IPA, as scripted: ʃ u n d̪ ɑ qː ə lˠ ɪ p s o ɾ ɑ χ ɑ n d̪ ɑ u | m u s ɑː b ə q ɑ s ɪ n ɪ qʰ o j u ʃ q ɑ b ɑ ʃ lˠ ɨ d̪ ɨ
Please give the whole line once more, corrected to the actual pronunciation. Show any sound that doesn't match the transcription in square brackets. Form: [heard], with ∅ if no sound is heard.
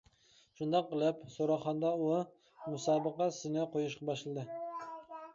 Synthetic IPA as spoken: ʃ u n d̪ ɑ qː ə lˠ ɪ p s o ɾ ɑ χ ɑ n d̪ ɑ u | m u s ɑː b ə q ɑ s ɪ n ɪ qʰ o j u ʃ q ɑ b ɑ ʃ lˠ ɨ d̪ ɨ